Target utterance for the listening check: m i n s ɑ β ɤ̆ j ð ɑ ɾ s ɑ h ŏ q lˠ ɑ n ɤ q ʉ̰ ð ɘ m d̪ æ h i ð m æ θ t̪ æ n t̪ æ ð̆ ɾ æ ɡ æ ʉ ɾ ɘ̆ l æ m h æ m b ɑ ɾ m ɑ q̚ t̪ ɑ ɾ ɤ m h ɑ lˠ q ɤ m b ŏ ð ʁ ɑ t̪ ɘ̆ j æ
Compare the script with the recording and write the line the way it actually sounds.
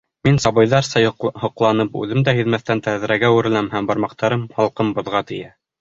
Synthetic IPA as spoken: m i n s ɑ β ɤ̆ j ð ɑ ɾ s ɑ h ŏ q lˠ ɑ n ɤ p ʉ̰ ð ɘ m d̪ æ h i ð m æ θ t̪ æ n t̪ æ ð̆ ɾ æ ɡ æ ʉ ɾ ɘ̆ l æ m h æ m b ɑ ɾ m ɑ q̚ t̪ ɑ ɾ ɤ m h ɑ lˠ q ɤ m b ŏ ð ʁ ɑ t̪ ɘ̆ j æ